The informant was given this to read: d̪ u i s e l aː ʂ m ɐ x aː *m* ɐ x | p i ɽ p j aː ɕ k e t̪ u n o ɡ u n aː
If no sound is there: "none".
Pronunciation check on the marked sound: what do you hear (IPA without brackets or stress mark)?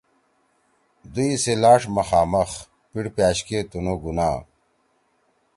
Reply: m